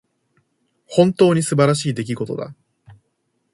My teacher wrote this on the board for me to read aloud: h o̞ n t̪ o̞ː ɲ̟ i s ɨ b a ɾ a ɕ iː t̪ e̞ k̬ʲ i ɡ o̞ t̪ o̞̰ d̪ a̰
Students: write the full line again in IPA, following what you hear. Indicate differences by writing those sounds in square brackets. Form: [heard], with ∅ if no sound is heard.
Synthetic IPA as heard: h [õ̞] n t̪ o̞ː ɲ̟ i s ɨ b a ɾ a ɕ iː [d̪] e̞ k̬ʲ i ɡ o̞ t̪ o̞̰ d̪ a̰